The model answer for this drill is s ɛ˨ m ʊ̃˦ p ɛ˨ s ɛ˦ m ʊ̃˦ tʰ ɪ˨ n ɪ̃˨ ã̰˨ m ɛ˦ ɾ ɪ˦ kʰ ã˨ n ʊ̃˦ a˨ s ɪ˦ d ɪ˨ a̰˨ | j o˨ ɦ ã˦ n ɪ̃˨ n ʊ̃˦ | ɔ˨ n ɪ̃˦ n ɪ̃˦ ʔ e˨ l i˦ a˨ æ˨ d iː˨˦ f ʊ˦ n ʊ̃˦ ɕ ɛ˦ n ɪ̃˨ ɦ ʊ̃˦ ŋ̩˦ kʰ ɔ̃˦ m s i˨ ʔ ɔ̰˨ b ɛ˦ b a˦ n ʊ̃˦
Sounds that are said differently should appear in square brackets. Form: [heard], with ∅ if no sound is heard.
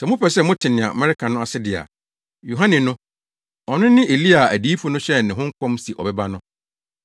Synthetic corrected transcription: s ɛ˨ m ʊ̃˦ p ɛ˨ s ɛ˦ m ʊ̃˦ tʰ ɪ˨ n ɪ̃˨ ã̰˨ m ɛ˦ ɾ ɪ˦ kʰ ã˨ n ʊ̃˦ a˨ s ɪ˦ d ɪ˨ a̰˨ | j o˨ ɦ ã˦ n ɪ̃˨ n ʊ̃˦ | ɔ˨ n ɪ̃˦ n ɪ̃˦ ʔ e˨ l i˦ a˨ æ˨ d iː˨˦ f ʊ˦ n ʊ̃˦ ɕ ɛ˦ n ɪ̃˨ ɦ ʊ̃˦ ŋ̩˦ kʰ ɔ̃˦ m s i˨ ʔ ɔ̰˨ b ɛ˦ b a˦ n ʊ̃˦